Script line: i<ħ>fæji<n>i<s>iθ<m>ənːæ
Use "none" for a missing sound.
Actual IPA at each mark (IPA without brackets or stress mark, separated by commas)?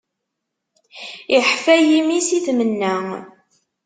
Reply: ħ, m, s, m